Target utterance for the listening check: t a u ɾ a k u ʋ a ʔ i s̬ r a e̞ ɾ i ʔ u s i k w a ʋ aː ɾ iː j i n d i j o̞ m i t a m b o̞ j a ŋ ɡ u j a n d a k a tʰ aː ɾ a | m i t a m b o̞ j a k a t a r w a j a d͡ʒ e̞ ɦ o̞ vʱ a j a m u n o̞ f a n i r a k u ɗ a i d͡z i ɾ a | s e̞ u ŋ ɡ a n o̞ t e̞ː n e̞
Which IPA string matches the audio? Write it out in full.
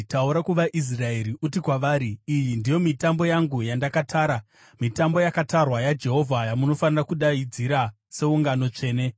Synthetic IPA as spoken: t a u ɾ a k u ʋ a ʔ i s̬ r a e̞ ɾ i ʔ u t i k w a ʋ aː ɾ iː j i n d i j o̞ m i t a m b o̞ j a ŋ ɡ u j a n d a k a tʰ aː ɾ a | m i t a m b o̞ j a k a t a r w a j a d͡ʒ e̞ ɦ o̞ vʱ a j a m u n o̞ f a n i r a k u ɗ a i d͡z i ɾ a | s e̞ u ŋ ɡ a n o̞ t͡ʂ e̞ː n e̞